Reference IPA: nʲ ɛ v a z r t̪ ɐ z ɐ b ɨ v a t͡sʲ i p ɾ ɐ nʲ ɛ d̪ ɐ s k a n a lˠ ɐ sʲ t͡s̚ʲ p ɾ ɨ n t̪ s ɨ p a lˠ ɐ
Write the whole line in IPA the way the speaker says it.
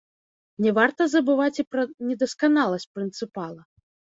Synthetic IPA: nʲ ɛ v a r t̪ ɐ z ɐ b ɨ v a t͡sʲ i p ɾ ɐ nʲ ɛ d̪ ɐ s k a n a lˠ ɐ sʲ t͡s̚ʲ p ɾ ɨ n t̪ s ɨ p a lˠ ɐ